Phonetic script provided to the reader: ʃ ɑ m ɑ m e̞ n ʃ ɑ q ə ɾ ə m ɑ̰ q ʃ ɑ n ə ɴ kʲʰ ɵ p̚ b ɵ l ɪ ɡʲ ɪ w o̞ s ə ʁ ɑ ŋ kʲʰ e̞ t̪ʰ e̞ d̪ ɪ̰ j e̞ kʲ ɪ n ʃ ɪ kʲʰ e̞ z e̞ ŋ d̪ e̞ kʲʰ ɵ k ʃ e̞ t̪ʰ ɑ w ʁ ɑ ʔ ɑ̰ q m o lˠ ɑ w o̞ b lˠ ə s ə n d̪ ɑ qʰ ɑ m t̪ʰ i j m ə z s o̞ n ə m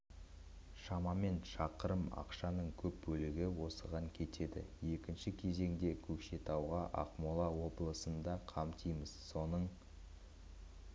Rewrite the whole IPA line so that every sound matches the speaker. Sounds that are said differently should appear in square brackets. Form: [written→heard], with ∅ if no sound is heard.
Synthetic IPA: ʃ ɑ m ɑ m e̞ n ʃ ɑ q ə ɾ ə m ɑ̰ q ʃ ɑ n ə ɴ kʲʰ ɵ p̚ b ɵ l ɪ ɡʲ ɪ w o̞ s ə ʁ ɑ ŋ kʲʰ e̞ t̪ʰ e̞ d̪ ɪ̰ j e̞ kʲ ɪ n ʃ ɪ kʲʰ e̞ z e̞ ŋ d̪ e̞ kʲʰ ɵ k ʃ e̞ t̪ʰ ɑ w ʁ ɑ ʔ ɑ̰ q m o lˠ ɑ w o̞ b lˠ ə s ə n d̪ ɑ qʰ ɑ m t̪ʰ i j m ə z s o̞ n ə [m→ɴ]